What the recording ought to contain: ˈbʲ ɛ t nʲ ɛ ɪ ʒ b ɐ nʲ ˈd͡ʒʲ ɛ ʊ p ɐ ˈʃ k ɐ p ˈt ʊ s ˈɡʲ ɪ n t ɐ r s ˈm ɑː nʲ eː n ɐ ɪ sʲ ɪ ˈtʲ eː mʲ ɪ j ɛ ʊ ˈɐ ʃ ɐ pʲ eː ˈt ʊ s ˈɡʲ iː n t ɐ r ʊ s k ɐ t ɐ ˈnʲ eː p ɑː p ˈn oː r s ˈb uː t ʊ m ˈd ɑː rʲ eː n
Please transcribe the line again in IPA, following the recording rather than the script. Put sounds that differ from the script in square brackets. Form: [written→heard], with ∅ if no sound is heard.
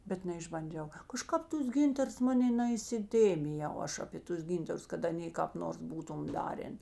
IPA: ˈbʲ ɛ t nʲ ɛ ɪ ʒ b ɐ nʲ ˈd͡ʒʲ ɛ ʊ [p→k] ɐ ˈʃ k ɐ p ˈt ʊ s ˈɡʲ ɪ n t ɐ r s ˈm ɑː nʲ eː n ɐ ɪ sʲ ɪ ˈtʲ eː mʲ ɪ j ɛ ʊ ˈɐ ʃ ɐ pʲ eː ˈt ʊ s ˈɡʲ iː n t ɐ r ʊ s k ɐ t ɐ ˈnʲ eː [p→k] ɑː p ˈn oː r s ˈb uː t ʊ m ˈd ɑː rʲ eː n